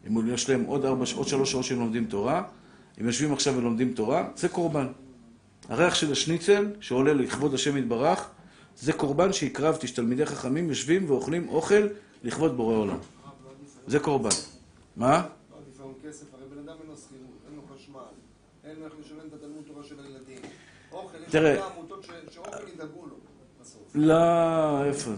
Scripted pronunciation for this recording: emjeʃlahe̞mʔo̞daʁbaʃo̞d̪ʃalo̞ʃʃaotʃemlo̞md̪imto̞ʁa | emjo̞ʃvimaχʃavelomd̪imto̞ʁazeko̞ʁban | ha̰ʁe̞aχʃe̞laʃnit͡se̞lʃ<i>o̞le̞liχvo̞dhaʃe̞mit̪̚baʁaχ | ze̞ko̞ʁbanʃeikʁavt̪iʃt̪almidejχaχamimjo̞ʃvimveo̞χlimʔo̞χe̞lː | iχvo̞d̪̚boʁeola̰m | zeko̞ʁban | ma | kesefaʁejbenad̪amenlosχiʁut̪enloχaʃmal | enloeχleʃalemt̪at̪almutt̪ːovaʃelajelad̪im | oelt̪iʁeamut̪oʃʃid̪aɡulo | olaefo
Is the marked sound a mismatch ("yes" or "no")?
yes